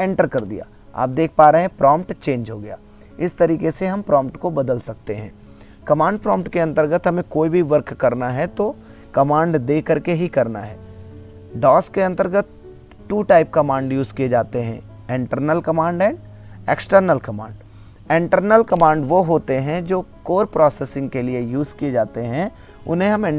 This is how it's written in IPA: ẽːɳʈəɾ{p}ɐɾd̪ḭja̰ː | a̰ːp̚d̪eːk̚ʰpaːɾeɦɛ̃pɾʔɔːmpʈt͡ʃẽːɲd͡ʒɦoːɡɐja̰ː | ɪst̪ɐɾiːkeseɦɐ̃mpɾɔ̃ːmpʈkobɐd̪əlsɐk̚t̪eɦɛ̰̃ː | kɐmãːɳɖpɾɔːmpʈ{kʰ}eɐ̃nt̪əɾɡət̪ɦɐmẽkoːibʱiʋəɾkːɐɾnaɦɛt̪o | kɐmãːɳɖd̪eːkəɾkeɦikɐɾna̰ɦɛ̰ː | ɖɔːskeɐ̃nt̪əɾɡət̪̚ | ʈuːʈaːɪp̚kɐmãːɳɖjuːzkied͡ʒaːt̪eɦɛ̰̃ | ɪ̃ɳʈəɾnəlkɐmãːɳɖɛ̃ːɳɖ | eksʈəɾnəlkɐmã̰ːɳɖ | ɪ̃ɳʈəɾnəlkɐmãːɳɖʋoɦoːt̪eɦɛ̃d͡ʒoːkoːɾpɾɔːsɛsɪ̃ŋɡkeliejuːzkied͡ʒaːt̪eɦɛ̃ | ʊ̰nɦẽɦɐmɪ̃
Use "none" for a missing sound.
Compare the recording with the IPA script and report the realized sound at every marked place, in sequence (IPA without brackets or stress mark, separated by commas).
k, k